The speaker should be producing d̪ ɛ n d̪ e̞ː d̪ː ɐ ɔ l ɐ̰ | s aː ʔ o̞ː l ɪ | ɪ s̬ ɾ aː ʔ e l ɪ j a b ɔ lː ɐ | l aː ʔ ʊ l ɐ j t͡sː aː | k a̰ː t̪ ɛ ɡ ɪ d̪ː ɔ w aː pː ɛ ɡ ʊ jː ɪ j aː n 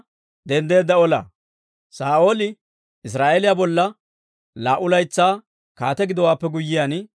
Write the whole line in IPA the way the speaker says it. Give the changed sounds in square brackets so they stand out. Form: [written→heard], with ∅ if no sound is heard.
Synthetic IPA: d̪ ɛ n d̪ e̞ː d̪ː ɐ ɔ l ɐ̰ | s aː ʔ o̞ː l ɪ | ɪ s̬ ɾ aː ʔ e l ɪ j a b ɔ lː ɐ | l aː ʔ ʊ l ɐ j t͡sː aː | k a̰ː t̪ ɛ ɡ ɪ [d̪ː→d̪] ɔ w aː pː ɛ ɡ ʊ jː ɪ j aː n